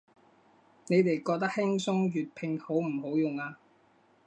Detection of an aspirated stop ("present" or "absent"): present